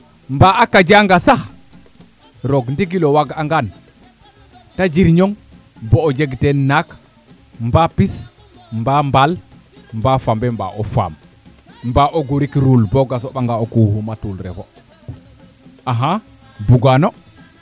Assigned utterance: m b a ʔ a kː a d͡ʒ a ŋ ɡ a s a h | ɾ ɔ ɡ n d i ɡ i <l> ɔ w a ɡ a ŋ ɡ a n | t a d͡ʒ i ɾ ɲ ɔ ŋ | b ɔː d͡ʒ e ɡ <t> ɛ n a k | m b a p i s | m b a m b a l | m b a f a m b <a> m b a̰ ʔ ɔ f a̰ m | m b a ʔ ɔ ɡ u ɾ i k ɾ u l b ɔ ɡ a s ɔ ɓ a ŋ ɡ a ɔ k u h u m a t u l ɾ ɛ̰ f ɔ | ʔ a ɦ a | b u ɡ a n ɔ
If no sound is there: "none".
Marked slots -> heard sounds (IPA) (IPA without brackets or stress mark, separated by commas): l, t, ɛ